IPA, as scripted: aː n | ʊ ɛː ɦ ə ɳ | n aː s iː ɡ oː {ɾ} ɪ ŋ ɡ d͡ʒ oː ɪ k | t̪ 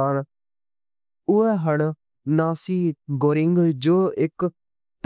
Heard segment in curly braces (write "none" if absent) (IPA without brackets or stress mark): ɾ